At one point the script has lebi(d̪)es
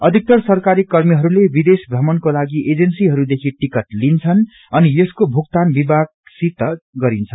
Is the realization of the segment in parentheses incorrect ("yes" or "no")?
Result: no